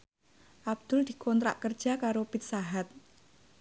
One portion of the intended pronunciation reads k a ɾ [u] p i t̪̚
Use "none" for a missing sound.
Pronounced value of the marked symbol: o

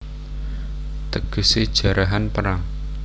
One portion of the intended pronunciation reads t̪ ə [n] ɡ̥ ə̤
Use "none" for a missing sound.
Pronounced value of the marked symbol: none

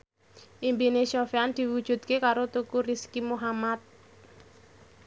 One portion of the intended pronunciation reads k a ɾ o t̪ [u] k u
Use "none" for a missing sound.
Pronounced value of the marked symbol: u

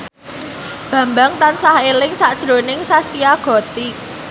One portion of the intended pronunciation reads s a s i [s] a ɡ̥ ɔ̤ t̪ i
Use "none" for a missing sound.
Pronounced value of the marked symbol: none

